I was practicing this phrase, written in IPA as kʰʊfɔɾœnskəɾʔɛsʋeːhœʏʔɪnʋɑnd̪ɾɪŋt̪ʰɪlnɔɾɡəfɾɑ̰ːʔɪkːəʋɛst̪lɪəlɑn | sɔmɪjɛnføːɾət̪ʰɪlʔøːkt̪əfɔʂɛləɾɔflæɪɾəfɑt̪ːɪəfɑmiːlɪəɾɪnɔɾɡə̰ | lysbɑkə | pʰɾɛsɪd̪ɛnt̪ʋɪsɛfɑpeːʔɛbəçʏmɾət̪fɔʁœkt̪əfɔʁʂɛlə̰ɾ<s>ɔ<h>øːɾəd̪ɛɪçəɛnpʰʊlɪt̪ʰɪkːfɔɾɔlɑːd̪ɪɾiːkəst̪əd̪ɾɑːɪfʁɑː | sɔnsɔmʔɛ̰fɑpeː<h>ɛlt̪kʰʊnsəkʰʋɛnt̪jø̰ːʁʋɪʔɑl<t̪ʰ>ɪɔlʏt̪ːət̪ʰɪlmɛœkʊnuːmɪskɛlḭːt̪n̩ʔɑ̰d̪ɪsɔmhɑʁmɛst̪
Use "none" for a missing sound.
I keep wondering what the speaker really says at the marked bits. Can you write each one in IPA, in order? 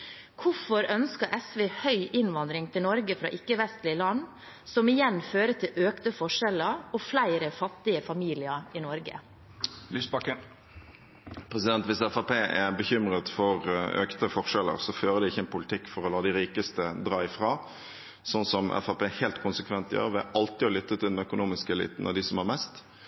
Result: s, f, h, t̪

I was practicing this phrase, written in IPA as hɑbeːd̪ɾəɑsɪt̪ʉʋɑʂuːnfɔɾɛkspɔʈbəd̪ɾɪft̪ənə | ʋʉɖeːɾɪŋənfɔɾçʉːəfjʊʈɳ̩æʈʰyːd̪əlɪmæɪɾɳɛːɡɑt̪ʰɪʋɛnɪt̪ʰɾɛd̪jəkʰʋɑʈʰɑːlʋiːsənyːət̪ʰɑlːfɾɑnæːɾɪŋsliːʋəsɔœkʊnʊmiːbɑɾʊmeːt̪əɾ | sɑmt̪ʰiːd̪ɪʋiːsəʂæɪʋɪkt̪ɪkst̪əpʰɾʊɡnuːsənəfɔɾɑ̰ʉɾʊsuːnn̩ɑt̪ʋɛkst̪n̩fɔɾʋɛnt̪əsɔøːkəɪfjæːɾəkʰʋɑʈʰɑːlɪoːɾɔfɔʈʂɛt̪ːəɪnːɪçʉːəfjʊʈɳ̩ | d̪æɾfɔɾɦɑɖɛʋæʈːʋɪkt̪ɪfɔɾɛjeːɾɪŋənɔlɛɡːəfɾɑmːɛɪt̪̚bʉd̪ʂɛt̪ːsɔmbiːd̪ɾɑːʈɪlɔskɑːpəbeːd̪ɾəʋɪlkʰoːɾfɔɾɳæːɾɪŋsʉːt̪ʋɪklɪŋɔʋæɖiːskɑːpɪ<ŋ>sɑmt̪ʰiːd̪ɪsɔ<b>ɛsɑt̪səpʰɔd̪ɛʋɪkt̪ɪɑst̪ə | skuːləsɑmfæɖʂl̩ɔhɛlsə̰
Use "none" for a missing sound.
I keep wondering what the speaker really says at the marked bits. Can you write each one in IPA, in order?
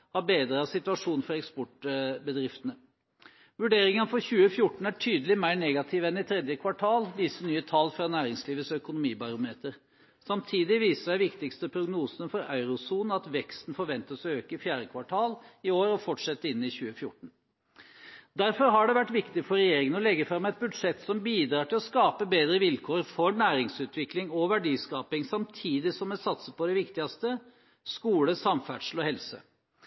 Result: ŋ, m

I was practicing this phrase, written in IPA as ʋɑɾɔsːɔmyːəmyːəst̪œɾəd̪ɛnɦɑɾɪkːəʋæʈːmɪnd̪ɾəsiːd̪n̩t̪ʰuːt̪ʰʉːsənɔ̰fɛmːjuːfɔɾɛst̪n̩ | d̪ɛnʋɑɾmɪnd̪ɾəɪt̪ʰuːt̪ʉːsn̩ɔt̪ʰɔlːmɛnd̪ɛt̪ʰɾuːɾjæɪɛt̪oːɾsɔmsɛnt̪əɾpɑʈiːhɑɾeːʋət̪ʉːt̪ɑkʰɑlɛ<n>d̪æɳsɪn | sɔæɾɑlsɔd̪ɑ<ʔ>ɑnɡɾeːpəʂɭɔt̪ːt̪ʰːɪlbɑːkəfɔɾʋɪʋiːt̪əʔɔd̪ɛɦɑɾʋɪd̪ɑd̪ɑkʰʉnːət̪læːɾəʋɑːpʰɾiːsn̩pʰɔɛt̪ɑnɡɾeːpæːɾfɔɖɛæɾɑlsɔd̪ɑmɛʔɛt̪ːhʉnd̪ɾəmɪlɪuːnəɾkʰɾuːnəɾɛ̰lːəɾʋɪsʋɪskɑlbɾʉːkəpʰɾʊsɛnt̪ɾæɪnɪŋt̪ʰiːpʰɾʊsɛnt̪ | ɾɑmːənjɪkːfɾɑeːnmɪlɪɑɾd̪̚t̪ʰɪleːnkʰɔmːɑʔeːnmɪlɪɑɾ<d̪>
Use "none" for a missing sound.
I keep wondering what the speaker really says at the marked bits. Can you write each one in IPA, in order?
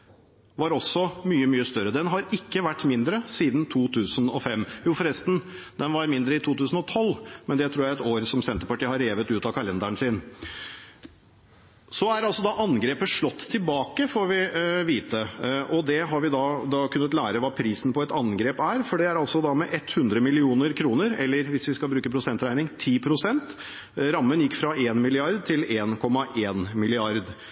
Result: n, ʔ, d̪

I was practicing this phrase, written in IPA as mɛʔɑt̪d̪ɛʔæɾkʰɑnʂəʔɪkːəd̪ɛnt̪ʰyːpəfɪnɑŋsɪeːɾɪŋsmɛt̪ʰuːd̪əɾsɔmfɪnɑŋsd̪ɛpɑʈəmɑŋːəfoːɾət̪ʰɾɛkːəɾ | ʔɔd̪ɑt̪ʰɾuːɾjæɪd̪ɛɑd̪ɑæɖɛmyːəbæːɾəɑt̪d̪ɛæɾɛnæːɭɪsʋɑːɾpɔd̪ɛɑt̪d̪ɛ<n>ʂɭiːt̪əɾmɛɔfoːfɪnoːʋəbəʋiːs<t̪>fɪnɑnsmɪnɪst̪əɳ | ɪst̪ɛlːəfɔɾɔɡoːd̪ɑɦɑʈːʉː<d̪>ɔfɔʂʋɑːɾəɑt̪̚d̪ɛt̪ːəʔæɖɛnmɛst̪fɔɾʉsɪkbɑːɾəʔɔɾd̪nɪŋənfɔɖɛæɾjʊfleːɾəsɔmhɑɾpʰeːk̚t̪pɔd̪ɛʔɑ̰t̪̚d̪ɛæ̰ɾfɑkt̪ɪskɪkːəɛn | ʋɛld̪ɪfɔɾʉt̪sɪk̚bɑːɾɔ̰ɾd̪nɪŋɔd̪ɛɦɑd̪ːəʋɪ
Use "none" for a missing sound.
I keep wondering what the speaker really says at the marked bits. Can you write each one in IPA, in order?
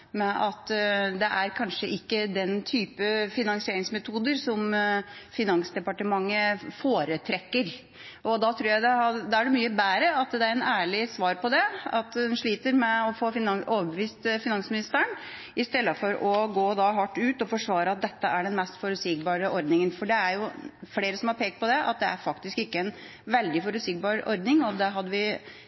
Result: n, t̪, t̪

